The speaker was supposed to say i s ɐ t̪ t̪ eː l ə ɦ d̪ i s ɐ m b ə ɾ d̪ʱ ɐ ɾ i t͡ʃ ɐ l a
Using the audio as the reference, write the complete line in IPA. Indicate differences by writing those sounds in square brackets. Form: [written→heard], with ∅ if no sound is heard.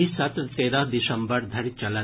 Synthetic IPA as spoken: i s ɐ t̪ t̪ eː [l→ɾ] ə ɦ d̪ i s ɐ m b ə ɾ d̪ʱ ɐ ɾ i t͡ʃ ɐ l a